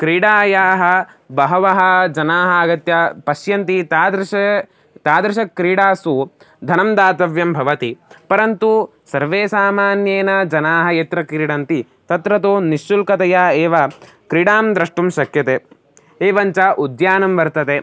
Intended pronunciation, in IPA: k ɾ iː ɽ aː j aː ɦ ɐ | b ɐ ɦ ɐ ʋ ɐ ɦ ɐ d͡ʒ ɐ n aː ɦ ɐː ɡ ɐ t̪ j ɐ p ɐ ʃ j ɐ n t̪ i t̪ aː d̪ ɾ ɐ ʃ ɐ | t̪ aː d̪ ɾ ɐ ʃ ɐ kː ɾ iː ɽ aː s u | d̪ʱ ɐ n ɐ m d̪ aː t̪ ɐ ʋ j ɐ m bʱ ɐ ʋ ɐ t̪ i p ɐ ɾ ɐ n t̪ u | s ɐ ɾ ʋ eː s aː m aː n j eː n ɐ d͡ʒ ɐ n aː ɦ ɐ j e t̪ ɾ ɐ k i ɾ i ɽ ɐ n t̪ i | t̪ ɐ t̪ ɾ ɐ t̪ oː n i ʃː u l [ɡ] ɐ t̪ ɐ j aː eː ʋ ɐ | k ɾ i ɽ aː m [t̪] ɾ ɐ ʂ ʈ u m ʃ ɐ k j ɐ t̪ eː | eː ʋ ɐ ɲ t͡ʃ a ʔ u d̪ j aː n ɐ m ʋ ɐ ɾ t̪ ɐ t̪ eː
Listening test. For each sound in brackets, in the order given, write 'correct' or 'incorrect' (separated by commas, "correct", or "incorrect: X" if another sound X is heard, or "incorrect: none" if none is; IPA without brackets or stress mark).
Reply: incorrect: k, incorrect: d̪